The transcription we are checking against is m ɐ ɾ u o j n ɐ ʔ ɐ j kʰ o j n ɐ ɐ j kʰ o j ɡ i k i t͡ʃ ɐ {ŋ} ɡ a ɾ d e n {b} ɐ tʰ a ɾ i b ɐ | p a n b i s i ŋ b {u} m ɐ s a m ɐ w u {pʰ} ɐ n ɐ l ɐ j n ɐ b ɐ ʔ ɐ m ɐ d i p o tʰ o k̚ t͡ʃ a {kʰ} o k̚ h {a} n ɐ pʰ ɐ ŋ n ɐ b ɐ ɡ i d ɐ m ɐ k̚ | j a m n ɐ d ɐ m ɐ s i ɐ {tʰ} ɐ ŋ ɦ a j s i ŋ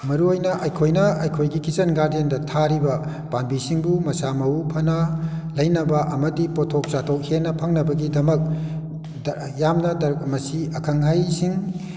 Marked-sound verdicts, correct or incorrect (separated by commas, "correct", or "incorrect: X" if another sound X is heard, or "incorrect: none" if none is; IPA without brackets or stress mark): incorrect: n, incorrect: d, correct, correct, incorrect: tʰ, incorrect: e, incorrect: kʰ